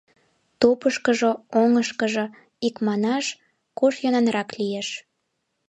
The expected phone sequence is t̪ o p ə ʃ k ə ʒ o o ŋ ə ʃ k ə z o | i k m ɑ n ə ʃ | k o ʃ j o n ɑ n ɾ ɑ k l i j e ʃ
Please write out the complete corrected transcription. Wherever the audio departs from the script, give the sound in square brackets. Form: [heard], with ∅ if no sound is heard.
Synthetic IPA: t̪ o p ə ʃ k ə ʒ o o ŋ ə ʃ k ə [ʒ] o | i k m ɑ n [ɑ] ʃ | k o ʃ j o n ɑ n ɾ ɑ k l i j e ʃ